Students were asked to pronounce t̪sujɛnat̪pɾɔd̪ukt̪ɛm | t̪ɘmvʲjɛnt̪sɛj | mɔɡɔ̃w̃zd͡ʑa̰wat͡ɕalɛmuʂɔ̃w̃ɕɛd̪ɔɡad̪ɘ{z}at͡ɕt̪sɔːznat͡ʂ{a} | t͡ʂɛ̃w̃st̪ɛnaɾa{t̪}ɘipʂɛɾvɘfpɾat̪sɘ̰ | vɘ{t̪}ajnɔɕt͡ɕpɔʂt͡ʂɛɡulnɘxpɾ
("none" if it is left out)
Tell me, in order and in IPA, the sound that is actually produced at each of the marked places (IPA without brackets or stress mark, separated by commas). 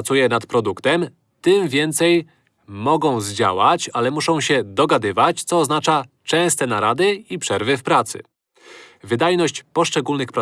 v, a, d̪, d̪